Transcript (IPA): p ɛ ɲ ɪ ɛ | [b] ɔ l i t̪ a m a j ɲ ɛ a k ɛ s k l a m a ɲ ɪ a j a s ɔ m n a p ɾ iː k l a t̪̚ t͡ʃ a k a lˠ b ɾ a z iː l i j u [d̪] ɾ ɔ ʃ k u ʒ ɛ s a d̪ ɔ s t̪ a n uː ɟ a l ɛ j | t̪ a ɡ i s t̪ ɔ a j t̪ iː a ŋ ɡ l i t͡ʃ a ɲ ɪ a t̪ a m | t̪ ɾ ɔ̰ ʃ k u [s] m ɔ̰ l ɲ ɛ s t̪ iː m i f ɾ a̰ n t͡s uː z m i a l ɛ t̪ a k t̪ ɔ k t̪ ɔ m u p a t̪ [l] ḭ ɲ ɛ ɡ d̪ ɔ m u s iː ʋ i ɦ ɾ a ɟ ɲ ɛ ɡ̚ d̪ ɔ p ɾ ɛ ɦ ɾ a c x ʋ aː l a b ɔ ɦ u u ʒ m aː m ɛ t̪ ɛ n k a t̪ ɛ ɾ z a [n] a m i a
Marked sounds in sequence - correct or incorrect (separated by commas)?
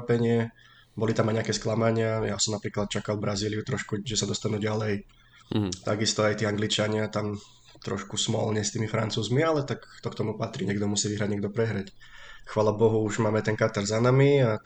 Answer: correct, incorrect, correct, incorrect, correct